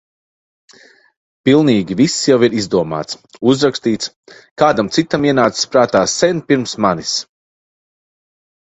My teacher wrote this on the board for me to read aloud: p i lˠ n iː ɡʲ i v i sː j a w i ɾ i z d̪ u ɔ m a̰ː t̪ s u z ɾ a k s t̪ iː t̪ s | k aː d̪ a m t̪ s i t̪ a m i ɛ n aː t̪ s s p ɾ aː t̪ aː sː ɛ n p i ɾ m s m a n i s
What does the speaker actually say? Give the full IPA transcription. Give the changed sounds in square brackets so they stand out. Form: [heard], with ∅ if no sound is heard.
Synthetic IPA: p i lˠ n iː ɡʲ i v i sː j a w i ɾ i z d̪ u ɔ m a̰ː t̪ s u z ɾ a k s t̪ iː t̪ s | k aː d̪ a m t̪ s i t̪ a m i ɛ n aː t̪ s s p ɾ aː t̪ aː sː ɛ n p i ɾ m s m a n i s